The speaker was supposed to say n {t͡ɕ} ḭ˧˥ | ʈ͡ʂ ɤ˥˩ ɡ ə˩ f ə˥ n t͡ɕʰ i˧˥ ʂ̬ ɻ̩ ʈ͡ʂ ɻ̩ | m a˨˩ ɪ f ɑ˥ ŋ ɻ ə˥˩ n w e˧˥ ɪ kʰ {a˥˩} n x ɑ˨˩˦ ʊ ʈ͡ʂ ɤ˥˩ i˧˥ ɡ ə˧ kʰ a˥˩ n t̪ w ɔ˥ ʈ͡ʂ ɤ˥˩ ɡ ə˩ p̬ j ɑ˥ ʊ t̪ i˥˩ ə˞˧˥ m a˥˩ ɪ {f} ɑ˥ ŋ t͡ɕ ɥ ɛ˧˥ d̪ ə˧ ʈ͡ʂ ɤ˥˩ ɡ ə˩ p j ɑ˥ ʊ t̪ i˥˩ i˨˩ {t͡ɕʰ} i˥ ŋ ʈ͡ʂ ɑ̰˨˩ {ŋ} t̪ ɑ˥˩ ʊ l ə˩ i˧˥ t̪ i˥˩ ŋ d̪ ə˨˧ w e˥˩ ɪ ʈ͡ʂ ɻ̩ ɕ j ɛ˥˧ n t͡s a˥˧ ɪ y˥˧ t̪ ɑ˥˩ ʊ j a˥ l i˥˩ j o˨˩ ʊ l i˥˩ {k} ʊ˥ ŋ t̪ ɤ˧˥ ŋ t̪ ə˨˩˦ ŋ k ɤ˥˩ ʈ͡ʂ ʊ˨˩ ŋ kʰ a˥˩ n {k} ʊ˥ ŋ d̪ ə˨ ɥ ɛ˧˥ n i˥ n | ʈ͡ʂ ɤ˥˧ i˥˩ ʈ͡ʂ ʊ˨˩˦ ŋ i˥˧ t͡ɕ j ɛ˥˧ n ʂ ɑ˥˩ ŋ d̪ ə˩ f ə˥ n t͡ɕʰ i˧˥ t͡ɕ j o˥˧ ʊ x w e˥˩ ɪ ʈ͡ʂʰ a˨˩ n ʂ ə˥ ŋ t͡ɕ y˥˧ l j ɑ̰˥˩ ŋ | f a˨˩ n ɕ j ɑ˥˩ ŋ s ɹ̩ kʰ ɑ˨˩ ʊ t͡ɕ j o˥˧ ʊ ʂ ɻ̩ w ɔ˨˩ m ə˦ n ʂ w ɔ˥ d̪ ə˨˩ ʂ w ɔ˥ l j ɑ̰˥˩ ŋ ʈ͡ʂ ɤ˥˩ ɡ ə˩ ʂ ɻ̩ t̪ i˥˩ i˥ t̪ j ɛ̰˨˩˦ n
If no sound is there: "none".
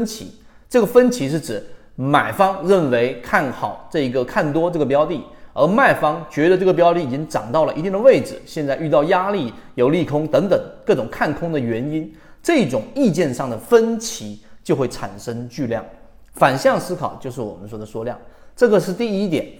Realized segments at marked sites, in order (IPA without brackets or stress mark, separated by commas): t͡ɕʰ, a˥˩, f, t͡ɕ, ŋ, kʰ, kʰ